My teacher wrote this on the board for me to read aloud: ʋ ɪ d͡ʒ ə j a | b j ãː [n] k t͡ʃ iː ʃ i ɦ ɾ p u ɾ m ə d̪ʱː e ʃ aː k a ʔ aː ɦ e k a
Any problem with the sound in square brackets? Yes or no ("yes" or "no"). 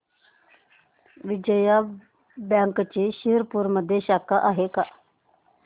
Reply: yes